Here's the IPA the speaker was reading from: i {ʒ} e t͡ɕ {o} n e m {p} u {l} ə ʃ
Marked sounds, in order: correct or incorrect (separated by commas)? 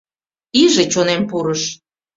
correct, correct, correct, incorrect